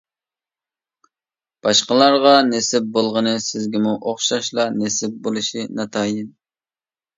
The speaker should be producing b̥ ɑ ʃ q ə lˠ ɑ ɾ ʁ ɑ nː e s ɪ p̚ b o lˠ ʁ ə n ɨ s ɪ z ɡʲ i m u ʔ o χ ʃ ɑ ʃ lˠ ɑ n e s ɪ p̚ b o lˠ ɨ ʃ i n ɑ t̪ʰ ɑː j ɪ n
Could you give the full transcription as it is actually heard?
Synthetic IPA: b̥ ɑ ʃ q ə lˠ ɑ ɾ ʁ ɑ n e s ɪ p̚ b o lˠ ʁ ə n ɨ s ɪ z ɡʲ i m u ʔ o χ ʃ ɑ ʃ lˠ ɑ n e s ɪ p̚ b o lˠ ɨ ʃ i n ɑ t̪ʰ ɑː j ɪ n